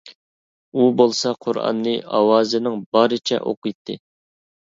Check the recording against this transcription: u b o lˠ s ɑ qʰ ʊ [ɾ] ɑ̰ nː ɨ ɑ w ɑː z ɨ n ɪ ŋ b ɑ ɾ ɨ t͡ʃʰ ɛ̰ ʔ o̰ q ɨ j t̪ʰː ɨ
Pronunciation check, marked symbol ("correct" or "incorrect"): correct